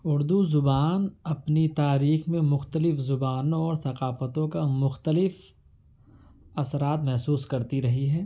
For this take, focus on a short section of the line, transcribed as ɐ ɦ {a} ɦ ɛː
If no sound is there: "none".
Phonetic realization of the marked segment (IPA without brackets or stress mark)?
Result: i